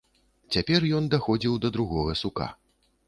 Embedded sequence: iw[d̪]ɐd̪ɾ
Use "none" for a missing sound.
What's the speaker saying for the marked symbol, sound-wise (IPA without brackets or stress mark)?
d̪